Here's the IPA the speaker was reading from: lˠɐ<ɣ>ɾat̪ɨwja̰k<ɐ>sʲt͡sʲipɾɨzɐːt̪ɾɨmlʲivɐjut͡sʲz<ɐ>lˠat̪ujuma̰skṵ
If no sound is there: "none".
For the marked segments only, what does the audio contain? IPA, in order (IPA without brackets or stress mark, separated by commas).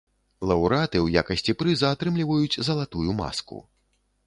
w, ɐ, ɐ